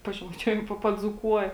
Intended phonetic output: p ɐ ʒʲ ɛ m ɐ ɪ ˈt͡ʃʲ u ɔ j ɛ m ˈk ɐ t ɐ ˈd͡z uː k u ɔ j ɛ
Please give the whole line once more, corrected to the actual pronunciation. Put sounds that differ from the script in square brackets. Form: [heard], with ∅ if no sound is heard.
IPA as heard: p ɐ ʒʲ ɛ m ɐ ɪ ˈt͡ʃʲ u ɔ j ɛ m [ˈp] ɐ [p] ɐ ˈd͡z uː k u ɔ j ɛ